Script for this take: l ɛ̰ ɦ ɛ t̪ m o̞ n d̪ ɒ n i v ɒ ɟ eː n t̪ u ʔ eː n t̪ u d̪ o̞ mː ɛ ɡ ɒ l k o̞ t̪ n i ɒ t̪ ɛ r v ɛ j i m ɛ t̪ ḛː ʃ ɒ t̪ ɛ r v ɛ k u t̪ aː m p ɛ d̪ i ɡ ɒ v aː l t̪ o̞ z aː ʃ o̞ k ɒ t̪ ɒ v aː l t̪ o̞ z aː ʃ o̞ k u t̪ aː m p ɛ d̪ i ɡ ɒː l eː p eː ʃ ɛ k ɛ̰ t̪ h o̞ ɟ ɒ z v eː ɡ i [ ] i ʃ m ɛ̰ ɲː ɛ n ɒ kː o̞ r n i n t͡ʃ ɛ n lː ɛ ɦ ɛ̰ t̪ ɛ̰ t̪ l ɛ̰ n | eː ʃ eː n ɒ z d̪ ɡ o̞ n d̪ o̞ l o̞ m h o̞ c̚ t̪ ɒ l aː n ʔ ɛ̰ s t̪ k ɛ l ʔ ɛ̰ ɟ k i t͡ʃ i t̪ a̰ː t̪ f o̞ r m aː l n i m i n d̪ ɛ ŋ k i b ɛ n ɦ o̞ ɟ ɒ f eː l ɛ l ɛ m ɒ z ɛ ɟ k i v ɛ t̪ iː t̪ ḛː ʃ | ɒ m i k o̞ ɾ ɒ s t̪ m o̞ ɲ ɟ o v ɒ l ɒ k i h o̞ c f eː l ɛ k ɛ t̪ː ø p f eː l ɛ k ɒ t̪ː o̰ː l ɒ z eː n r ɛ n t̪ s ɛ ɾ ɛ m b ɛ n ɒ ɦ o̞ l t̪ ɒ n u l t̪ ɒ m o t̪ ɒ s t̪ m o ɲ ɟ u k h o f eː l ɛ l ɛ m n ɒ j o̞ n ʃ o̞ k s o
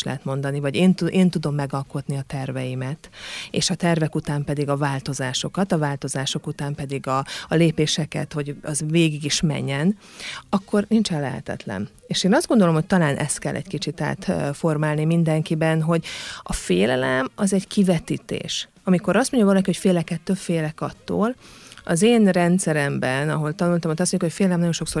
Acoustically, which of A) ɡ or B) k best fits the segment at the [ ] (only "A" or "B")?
A